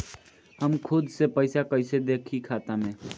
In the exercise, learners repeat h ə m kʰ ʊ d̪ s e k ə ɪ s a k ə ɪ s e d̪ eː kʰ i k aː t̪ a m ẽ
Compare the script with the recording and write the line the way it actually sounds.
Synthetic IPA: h ə m kʰ ʊ d̪ s e p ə ɪ s a k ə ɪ s e d̪ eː kʰ i kʰ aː t̪ a m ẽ